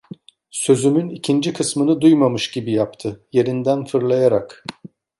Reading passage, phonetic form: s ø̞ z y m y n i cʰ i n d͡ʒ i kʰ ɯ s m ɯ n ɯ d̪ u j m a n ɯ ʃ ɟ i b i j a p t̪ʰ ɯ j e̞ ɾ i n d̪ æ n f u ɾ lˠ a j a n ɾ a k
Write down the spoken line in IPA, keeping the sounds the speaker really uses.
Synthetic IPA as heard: s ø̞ z y m y n i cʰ i n d͡ʒ i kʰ ɯ s m ɯ n ɯ d̪ u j m a m ɯ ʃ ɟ i b i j a p t̪ʰ ɯ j e̞ ɾ i n d̪ æ n f ɯ ɾ lˠ a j a ɾ a k